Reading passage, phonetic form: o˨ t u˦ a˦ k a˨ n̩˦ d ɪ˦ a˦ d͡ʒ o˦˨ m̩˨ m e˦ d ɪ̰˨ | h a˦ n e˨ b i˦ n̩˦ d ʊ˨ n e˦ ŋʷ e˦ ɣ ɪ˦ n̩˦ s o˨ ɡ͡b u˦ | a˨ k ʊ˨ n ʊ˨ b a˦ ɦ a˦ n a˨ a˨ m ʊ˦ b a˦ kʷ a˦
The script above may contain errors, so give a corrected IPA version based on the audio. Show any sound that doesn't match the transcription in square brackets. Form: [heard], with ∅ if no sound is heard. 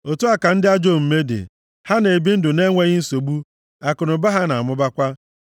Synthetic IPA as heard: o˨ t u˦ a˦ k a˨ n̩˦ d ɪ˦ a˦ d͡ʒ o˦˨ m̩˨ m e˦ d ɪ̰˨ | h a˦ n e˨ b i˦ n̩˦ d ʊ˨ n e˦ ŋʷ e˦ ɣ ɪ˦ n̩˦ s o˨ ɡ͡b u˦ | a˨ k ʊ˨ n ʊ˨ b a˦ ɦ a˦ n a˨ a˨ m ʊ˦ b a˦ kʷ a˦

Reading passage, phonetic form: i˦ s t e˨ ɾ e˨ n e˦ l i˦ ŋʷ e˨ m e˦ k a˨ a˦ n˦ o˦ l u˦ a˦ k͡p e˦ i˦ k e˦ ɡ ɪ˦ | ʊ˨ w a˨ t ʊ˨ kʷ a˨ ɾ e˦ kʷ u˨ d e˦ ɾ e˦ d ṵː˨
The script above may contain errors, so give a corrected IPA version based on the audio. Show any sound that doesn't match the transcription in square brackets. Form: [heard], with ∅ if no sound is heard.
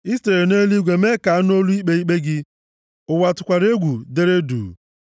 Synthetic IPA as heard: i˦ s t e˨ ɾ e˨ n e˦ l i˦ [ɡʷ] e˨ m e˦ k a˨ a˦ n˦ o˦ l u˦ [i˦] k͡p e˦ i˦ [k͡p] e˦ ɡ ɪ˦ | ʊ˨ w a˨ t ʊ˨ kʷ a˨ ɾ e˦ [ɡʷ] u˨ d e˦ ɾ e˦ d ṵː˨

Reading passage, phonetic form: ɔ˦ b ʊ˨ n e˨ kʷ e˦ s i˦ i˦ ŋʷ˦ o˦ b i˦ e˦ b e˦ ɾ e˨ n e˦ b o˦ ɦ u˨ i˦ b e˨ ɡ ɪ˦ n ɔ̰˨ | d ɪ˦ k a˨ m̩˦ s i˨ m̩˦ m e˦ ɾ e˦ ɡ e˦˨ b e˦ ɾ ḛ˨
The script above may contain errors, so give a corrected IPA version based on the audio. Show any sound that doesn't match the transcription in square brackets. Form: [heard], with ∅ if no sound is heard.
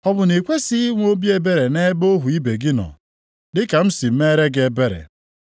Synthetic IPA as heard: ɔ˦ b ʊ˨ n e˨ kʷ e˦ s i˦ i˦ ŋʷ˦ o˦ b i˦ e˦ b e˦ ɾ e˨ n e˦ b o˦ ɦ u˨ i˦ b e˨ ɡ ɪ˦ n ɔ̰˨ | d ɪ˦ k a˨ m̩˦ s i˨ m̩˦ m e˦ ɾ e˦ ɡ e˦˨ b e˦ ɾ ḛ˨

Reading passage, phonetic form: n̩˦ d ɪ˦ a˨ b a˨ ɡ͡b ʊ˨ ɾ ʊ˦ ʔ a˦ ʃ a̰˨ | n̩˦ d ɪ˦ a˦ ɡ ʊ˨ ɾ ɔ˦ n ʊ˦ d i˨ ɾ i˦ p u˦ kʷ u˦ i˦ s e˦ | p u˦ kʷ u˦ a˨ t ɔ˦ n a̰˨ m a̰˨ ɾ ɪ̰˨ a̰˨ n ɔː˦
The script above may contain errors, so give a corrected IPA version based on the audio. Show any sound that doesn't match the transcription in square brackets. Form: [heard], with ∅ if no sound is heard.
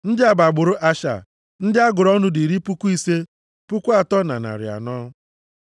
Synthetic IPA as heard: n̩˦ d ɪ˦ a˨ b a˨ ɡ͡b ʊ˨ ɾ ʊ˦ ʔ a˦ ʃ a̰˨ | n̩˦ d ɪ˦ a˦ ɡ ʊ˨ ɾ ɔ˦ n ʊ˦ d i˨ ɾ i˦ p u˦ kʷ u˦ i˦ s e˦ | p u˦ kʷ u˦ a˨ t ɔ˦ n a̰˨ [n] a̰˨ ɾ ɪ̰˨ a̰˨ n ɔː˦

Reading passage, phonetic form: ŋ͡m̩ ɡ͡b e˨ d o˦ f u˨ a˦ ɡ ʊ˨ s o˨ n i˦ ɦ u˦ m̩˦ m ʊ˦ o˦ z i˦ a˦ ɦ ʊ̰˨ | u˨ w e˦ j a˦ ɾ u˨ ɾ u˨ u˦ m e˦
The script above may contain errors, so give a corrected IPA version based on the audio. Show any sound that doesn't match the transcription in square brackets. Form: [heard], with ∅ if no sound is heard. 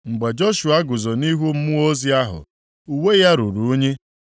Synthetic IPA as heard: ŋ͡m̩ ɡ͡b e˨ [d͡ʒ] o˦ [ʃ] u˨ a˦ ɡ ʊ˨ [z] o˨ n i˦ ɦ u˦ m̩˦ m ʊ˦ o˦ z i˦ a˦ ɦ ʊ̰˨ | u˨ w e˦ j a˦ ɾ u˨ ɾ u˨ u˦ [ɲ] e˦

